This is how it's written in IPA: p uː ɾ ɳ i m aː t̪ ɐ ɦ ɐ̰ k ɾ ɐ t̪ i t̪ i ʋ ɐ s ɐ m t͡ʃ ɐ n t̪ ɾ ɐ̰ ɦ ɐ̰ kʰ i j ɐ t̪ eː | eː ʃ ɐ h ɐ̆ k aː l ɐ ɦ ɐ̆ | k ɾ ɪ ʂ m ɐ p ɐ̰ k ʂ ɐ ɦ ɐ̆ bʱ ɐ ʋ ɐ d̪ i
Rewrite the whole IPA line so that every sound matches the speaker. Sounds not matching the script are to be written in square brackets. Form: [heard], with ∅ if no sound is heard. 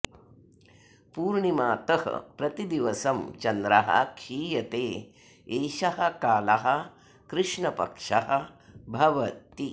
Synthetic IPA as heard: p uː ɾ ɳ i m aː t̪ ɐ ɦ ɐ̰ [p] ɾ ɐ t̪ i [d̪] i ʋ ɐ s ɐ m t͡ʃ ɐ n [d̪] ɾ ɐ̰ ɦ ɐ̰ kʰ [iː] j ɐ t̪ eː | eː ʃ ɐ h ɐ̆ k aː l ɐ ɦ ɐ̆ | k ɾ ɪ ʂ [ɳ] ɐ p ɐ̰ k ʂ ɐ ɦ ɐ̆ bʱ ɐ ʋ ɐ [t̪] i